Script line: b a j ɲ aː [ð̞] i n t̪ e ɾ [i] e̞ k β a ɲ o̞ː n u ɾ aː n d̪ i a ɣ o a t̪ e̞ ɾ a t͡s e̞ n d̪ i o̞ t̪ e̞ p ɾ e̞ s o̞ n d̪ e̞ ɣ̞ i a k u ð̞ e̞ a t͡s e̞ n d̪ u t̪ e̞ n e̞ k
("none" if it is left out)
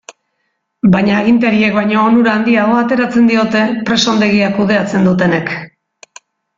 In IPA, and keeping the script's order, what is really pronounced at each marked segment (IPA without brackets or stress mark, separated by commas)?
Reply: ɣ̞, i